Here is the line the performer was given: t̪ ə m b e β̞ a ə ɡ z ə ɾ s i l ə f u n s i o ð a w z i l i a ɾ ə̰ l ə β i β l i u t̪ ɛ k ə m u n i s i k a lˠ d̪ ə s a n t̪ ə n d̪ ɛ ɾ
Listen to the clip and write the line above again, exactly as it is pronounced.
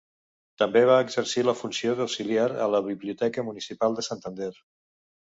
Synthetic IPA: t̪ ə m b e β̞ a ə ɡ z ə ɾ s i l ə f u n s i o ð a w s i l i a ɾ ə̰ l ə β i β l i u t̪ ɛ k ə m u n i s i p a lˠ d̪ ə s a n t̪ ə n d̪ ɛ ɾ